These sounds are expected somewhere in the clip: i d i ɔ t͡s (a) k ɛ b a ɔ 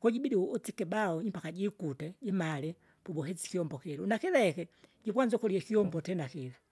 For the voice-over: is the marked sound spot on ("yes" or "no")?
no